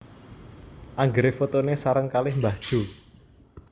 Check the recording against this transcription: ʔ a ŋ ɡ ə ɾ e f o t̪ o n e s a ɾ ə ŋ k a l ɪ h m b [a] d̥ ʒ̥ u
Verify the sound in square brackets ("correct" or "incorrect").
correct